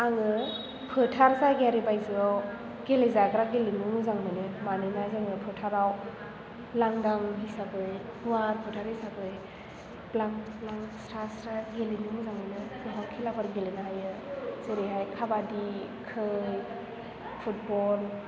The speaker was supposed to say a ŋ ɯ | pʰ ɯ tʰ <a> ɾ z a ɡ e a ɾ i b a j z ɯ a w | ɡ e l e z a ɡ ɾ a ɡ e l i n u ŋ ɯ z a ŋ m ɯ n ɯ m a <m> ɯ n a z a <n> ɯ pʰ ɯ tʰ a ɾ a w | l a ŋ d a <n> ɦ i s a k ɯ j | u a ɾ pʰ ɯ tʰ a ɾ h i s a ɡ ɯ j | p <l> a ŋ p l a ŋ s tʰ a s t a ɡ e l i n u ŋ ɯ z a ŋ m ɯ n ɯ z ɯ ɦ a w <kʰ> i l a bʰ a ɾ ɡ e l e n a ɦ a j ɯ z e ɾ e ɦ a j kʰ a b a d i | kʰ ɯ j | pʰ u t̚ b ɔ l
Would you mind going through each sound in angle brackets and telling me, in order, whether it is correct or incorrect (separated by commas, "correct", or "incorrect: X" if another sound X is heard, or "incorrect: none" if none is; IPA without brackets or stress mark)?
correct, incorrect: n, incorrect: ŋ, incorrect: ŋ, correct, correct